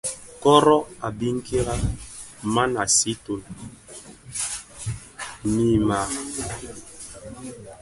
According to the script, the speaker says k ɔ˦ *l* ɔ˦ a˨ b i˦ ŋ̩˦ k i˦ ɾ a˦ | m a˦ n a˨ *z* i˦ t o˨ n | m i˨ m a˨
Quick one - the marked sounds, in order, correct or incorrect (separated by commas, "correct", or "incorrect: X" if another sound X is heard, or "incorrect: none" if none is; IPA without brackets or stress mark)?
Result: incorrect: ɾ, incorrect: s